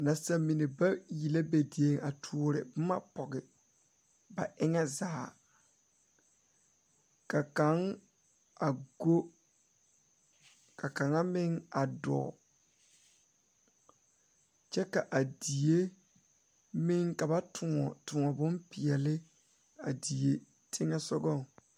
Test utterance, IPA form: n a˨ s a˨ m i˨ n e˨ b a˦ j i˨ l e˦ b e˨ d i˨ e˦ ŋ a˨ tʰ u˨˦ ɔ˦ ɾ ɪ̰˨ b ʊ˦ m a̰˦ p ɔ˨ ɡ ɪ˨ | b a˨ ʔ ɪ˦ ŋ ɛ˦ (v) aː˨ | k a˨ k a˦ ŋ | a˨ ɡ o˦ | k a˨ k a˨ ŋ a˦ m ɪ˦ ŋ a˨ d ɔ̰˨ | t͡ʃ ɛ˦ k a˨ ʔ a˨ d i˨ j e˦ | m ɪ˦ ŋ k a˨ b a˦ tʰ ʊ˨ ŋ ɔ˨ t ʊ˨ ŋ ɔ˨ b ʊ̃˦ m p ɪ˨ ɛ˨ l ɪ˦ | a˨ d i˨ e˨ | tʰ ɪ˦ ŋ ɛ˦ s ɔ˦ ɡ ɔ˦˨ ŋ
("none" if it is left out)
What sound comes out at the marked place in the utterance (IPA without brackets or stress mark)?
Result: z